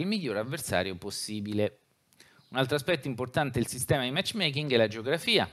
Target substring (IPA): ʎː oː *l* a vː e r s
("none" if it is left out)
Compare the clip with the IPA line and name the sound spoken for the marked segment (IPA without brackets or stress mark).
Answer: ɾ